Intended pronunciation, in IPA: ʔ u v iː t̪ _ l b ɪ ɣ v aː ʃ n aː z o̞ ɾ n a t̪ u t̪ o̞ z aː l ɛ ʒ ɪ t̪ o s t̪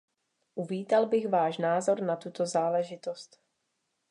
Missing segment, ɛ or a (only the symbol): a